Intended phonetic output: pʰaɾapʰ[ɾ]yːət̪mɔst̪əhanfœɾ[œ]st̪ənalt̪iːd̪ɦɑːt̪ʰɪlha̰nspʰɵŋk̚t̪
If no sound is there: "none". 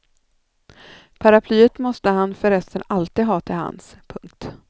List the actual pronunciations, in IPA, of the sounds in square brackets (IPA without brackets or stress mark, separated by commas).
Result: l, ɛ